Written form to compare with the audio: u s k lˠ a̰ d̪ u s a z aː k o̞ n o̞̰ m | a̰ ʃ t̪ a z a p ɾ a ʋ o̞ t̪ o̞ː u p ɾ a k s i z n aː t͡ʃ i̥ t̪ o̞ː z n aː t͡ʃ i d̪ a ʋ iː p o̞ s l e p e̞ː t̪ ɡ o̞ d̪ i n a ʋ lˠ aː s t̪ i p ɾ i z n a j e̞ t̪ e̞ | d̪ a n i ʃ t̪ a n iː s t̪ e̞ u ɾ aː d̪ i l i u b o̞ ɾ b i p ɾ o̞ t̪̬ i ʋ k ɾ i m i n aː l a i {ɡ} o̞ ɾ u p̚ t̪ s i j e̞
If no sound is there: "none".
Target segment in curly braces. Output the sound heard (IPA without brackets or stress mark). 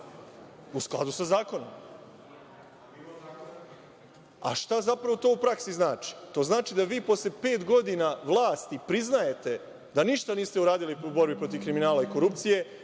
k